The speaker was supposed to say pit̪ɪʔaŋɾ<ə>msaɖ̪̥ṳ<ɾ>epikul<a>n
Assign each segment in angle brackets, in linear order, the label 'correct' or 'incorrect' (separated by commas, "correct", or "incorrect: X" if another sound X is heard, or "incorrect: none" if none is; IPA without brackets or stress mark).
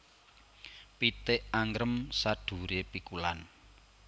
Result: correct, correct, correct